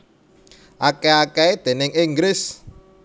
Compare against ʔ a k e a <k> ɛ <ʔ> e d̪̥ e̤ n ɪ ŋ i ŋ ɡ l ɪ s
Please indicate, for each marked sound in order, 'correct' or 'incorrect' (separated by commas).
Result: correct, incorrect